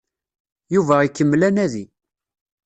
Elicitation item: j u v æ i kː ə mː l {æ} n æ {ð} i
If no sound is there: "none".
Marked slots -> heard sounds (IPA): æ, ð

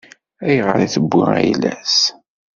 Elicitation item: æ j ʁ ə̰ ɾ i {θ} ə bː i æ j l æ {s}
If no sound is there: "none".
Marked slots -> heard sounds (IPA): θ, s

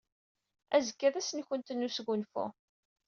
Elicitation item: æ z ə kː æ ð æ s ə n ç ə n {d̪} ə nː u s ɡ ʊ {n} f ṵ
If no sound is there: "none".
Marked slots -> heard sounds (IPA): t̪, n

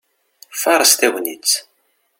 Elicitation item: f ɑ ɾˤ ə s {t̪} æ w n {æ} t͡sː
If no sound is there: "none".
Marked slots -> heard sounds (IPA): t̪, i

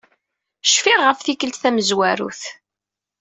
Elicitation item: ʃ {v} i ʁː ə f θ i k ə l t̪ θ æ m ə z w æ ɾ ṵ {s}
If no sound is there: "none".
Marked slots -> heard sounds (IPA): f, θ

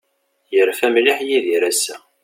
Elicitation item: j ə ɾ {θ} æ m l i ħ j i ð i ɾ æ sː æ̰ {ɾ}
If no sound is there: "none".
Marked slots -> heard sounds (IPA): f, none

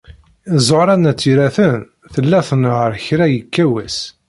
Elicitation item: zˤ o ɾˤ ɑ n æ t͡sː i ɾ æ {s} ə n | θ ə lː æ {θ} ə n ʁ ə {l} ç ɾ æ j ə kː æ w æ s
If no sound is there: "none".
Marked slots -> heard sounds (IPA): θ, θ, ɾ

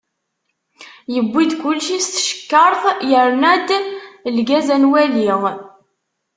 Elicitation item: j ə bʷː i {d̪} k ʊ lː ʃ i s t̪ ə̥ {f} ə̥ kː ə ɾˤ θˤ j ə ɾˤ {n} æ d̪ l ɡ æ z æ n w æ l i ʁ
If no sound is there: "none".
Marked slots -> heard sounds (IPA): d̪, ʃ, n

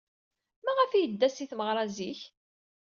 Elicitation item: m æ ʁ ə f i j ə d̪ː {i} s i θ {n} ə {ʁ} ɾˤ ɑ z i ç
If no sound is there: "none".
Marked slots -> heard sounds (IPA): æ, m, ʁ

